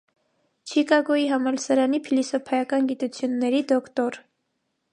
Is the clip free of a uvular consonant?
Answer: yes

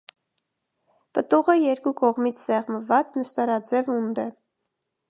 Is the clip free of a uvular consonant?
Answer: no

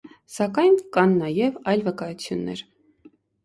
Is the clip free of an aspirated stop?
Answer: no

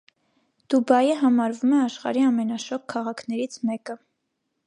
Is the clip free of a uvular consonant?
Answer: no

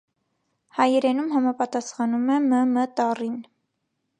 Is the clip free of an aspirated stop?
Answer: yes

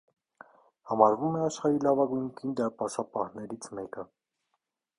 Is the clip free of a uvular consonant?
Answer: no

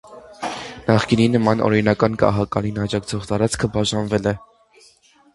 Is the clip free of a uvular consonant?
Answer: no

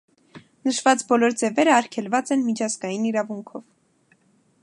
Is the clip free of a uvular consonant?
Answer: yes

